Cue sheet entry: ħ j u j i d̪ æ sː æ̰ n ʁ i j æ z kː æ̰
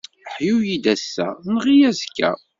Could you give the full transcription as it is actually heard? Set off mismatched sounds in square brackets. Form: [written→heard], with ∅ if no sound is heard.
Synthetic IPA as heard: ħ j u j i d̪ æ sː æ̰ n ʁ i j æ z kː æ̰